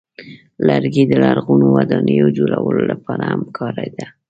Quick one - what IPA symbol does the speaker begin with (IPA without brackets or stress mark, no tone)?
l